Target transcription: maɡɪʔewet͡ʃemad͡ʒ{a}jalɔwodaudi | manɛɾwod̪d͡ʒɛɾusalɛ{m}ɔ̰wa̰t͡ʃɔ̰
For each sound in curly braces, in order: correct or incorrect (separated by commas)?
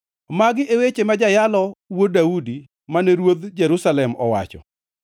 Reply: correct, correct